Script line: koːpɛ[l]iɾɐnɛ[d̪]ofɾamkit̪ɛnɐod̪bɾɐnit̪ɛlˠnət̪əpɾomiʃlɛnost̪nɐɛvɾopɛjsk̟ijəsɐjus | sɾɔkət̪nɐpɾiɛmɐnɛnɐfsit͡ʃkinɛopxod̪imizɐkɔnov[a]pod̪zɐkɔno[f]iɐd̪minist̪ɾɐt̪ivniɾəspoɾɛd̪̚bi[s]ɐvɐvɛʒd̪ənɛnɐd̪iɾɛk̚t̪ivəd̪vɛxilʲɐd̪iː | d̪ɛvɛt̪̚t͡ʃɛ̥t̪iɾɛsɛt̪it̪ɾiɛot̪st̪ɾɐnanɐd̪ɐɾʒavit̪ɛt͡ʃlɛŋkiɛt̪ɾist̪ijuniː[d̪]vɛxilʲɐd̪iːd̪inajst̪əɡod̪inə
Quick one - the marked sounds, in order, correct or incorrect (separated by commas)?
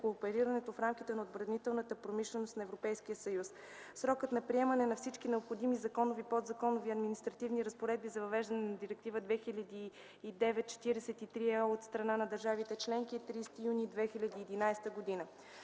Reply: incorrect, incorrect, incorrect, incorrect, incorrect, correct